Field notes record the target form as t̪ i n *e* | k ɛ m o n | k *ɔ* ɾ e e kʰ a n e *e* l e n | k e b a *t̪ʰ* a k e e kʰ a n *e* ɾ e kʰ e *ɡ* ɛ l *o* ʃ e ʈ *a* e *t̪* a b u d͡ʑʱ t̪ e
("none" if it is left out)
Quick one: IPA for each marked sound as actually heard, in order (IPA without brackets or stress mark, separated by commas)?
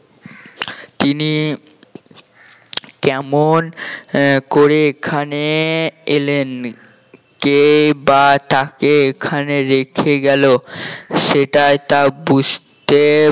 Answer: i, o, e, t̪, e, ɡ, o, a, t̪